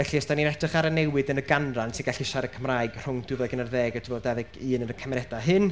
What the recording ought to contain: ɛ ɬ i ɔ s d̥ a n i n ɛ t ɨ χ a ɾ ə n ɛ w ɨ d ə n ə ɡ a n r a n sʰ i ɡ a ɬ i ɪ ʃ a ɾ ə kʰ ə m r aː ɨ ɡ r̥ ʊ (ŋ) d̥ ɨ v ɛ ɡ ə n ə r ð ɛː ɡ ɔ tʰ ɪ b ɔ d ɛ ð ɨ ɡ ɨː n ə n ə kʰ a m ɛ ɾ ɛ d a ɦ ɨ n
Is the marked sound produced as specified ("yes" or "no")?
yes